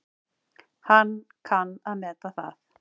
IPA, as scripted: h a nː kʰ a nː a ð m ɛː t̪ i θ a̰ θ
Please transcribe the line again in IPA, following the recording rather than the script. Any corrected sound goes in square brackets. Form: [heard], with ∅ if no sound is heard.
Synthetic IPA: h a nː kʰ a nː a ð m ɛː t̪ [a] θ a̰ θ